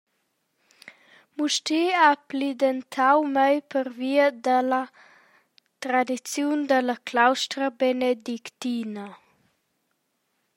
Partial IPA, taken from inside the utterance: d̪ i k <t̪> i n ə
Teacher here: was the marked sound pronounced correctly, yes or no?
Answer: yes